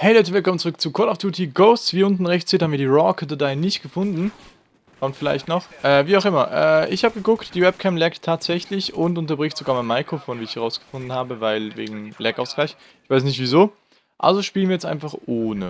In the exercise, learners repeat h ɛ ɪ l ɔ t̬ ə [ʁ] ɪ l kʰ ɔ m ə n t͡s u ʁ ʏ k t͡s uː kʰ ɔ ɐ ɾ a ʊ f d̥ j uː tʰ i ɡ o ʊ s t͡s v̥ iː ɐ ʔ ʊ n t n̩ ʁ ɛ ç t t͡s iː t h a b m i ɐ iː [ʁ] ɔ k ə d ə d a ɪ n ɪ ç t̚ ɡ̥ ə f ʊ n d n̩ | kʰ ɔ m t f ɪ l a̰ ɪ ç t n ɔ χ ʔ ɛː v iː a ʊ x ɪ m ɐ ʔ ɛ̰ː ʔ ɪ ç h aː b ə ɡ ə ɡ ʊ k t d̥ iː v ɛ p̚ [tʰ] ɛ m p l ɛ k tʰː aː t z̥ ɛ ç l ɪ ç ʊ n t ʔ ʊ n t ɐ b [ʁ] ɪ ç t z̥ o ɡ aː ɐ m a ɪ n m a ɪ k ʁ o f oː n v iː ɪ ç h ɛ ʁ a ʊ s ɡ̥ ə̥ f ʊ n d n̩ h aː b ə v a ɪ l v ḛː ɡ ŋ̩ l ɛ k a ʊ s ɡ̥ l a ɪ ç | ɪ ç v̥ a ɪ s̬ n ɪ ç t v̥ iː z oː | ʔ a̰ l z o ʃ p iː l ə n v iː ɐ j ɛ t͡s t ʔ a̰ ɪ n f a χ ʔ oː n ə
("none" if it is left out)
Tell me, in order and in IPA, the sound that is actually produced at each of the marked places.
v, ʁ, kʰ, ʁ

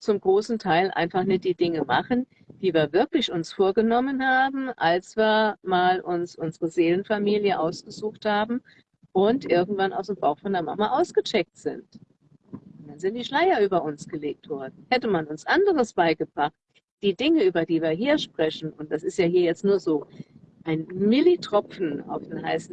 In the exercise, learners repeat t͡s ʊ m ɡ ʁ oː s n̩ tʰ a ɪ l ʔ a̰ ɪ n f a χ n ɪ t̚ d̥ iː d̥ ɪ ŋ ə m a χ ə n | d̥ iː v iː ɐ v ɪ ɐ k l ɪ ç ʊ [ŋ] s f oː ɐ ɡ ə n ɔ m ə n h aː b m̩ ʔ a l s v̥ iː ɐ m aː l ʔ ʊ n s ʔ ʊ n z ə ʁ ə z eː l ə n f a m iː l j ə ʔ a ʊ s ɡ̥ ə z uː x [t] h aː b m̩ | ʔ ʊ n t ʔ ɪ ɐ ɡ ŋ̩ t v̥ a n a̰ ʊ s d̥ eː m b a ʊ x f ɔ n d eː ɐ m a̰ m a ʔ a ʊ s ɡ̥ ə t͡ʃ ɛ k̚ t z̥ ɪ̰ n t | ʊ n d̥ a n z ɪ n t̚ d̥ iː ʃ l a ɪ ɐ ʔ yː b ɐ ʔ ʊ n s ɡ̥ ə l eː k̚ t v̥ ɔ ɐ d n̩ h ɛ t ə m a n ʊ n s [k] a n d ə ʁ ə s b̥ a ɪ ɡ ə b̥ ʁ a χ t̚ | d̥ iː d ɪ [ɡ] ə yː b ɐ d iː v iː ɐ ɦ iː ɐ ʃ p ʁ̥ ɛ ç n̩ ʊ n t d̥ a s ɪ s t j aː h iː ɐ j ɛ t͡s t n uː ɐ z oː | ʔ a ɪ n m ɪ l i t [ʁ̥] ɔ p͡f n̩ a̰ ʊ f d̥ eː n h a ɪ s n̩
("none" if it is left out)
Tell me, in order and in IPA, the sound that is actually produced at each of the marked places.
n, t, ʔ, ŋ, ʁ̥

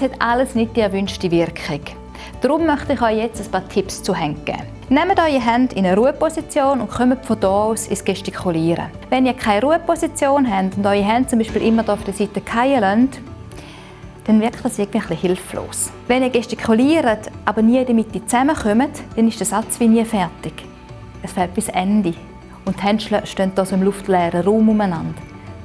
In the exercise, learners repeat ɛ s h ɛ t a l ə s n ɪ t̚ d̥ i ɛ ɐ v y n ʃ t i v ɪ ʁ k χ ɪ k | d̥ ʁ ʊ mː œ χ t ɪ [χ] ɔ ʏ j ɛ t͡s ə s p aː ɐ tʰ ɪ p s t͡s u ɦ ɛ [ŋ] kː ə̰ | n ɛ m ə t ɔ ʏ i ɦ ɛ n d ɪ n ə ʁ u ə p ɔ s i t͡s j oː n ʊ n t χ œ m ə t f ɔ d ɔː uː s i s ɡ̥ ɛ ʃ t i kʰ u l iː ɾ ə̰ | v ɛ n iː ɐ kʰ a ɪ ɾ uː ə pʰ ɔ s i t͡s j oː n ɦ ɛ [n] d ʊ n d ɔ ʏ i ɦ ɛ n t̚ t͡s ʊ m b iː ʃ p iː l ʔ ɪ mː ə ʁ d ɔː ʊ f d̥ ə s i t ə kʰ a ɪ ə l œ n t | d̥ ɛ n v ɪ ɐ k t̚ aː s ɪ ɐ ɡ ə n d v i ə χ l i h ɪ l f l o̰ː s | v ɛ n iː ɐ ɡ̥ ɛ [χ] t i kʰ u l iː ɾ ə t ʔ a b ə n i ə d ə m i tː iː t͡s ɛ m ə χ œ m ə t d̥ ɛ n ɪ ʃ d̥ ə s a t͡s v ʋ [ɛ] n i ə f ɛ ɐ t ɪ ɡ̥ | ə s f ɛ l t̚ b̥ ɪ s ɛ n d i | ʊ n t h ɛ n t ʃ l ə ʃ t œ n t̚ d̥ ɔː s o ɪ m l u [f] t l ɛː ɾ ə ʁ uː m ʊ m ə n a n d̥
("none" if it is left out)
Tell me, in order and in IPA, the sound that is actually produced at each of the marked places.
χ, ŋ, n, ʃ, i, f

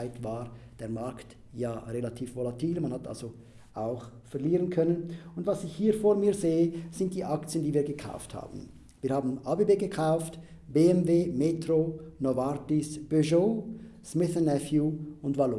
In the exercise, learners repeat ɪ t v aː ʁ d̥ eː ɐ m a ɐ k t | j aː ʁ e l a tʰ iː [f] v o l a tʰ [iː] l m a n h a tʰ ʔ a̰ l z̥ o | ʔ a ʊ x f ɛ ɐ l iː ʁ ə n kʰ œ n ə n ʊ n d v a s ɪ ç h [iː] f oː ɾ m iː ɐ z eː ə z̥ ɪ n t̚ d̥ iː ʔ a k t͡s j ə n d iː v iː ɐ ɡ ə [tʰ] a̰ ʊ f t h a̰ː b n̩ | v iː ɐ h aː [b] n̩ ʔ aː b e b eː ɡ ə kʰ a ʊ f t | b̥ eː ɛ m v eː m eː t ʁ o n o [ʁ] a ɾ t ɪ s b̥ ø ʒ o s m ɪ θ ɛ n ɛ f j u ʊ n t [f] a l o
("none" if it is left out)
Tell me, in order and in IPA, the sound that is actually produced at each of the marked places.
f, iː, iː, kʰ, b, v, v

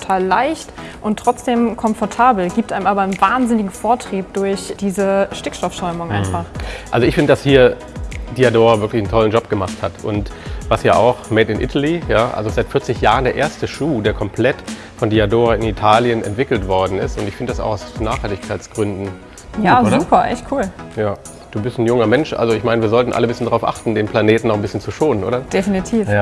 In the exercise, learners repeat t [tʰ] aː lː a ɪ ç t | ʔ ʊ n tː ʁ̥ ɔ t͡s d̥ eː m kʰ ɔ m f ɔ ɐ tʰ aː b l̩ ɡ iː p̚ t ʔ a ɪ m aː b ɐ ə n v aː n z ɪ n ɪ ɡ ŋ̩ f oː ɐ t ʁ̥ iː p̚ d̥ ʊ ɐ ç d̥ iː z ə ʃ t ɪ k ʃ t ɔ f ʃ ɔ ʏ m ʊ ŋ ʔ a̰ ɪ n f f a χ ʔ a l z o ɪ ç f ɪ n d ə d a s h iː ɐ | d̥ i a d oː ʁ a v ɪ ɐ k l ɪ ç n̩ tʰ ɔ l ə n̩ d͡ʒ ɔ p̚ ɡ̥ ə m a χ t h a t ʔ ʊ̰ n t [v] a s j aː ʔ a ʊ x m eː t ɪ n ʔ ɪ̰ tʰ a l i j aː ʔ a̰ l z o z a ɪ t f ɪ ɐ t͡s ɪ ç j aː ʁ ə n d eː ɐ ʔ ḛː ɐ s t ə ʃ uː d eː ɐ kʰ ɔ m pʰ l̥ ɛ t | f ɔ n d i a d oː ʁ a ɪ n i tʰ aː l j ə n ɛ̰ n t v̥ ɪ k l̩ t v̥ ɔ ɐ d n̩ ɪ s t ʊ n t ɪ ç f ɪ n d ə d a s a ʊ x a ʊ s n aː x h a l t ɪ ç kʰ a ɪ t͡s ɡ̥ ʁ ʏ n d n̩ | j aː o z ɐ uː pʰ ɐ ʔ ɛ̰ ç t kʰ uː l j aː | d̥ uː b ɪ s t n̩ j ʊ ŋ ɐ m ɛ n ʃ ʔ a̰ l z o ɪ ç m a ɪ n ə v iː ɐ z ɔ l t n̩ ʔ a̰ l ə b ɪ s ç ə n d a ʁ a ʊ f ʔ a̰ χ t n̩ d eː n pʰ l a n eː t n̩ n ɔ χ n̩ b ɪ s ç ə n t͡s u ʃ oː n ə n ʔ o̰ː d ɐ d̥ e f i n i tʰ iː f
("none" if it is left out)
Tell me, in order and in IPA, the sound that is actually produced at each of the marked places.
tʰ, v

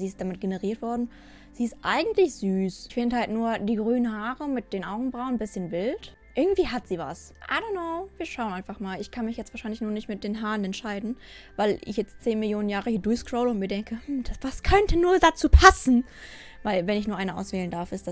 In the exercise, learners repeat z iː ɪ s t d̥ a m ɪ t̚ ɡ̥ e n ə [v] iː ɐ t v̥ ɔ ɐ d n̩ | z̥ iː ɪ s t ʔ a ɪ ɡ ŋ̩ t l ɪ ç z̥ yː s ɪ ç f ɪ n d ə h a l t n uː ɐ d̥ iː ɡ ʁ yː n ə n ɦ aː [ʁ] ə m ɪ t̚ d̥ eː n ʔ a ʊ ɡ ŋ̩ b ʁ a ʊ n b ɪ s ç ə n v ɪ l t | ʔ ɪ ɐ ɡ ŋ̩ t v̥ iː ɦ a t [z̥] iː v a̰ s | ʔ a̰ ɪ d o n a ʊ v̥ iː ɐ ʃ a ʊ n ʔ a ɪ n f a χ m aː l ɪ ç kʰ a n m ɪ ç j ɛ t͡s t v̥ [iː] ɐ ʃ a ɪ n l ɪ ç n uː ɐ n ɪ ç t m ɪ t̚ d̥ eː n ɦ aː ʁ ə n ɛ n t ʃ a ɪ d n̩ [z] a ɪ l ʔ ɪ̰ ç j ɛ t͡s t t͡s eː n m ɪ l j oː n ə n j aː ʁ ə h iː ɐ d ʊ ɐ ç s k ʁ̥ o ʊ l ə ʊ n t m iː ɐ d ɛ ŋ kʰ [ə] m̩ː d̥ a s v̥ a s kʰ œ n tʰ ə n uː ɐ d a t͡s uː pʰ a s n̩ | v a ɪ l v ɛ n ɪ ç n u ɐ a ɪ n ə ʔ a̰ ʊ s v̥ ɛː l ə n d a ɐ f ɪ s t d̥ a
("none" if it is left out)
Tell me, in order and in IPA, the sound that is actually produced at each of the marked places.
ʁ, ʁ, z̥, aː, v, ə

